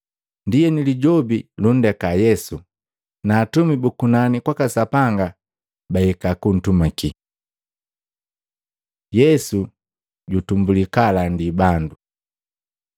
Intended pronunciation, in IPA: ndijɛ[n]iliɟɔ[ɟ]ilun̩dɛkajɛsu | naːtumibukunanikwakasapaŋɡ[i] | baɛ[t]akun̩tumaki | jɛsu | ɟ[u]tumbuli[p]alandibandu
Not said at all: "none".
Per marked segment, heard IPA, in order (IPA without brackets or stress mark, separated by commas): n, b, a, k, u, k